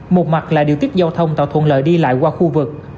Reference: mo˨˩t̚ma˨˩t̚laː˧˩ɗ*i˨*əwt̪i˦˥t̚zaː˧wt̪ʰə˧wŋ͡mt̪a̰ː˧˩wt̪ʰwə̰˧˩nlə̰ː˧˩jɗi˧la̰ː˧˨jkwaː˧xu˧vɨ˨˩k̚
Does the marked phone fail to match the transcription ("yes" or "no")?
no